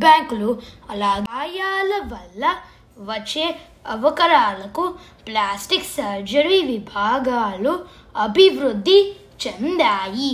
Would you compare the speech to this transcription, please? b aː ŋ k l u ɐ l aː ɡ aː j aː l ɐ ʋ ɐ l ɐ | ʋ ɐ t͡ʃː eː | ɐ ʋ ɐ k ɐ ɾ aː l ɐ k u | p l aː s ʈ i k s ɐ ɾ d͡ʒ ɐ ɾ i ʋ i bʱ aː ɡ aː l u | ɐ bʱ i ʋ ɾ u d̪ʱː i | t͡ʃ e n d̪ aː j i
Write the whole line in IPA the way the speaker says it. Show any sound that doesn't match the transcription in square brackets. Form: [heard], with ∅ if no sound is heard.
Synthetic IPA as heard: b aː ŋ k l u ɐ l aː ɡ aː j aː l ɐ ʋ ɐ [lː] ɐ | ʋ ɐ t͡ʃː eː | ɐ ʋ ɐ k ɐ ɾ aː l ɐ k u | p l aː s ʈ i k s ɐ ɾ d͡ʒ ɐ ɾ i ʋ i bʱ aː ɡ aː l u | ɐ bʱ i ʋ ɾ u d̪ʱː i | t͡ʃ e n d̪ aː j i